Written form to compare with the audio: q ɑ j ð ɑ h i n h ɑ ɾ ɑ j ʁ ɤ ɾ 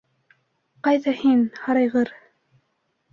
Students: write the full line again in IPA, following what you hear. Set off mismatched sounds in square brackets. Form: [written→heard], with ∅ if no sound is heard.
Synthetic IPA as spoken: q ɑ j ð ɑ h i n h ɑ ɾ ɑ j ʁ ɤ ɾ